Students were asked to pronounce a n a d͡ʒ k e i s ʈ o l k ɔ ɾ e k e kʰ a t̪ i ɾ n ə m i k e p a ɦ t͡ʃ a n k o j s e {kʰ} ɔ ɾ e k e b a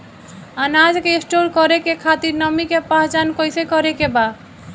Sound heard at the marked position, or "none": k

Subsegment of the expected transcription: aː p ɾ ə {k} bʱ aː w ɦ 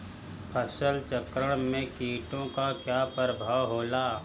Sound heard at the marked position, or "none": none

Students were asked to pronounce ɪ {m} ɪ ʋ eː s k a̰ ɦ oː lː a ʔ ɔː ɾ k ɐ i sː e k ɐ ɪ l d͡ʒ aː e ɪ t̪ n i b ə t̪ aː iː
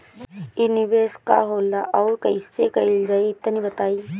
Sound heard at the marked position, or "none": n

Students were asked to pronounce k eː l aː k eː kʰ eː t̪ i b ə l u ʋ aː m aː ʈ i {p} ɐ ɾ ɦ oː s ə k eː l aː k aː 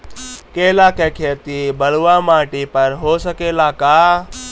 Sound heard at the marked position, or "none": p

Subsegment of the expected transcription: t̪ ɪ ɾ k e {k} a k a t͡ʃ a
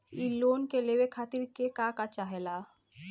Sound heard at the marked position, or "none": k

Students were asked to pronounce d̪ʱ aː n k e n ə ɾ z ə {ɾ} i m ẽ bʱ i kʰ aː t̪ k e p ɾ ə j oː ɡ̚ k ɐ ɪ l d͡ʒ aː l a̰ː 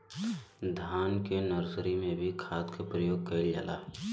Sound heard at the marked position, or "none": ɾ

